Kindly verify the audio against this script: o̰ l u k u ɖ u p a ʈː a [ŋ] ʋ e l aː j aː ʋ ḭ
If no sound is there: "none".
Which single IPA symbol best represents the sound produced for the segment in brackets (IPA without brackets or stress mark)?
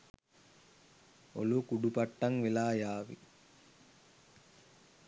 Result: ŋ